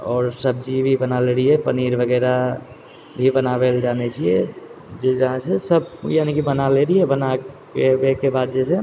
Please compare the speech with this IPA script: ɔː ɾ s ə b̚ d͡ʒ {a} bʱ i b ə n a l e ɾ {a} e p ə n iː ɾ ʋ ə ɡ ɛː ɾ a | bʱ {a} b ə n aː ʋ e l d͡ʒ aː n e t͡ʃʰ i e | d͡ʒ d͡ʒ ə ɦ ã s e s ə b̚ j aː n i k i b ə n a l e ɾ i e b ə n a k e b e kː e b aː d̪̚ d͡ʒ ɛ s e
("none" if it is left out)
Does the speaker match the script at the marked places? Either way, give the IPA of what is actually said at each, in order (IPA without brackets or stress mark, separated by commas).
i, i, i